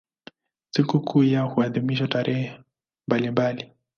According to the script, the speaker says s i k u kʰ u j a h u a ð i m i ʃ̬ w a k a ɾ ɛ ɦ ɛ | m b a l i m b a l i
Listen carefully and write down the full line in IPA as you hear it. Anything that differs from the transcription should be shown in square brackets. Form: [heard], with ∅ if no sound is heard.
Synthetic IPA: s i k u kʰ u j a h u a ð i m i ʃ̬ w a [t] a ɾ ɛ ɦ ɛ | m b a l i m b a l i